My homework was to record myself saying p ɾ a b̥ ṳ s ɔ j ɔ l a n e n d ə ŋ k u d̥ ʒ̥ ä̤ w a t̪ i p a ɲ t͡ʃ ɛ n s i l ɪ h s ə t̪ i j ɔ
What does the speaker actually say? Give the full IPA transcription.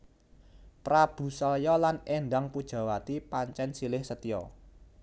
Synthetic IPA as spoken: p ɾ a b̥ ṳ s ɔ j ɔ l a n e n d a ŋ p u d̥ ʒ̥ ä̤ w a t̪ i p a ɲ t͡ʃ ɛ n s i l ɪ h s ə t̪ i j ɔ